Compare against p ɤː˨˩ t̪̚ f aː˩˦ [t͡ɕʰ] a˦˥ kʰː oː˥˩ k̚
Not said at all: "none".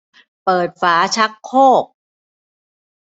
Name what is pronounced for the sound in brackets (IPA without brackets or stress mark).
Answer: t͡ɕʰ